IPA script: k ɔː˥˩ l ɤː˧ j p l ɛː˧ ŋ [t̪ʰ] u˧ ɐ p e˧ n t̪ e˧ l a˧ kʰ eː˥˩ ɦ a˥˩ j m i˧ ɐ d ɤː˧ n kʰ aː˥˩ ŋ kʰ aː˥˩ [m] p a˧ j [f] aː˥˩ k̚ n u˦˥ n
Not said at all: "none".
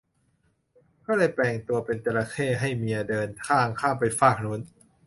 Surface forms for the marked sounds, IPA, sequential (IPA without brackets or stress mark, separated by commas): t̪, m, f